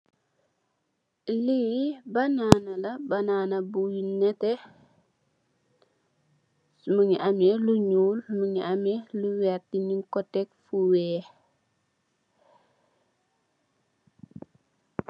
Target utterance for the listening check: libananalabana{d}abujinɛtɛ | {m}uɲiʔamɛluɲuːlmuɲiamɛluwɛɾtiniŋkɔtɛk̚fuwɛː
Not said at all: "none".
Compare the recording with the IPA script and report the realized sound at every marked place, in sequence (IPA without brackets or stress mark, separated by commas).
n, m